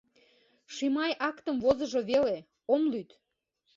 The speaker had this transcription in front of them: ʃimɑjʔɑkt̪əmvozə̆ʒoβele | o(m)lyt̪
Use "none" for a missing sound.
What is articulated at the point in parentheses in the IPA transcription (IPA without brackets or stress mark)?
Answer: m